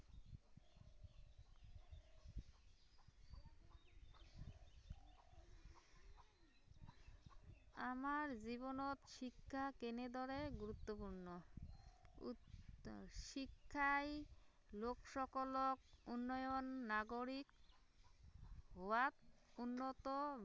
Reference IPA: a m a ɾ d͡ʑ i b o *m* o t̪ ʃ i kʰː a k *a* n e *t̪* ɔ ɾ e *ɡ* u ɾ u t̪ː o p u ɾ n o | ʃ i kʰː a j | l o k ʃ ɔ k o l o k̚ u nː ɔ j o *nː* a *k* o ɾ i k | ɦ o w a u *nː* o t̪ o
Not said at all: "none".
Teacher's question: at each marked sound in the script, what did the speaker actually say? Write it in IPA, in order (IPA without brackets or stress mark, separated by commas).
n, e, d̪, ɡ, nː, ɡ, nː